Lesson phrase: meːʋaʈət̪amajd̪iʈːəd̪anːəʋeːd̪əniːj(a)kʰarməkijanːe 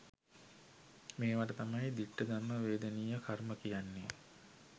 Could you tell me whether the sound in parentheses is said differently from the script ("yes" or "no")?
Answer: yes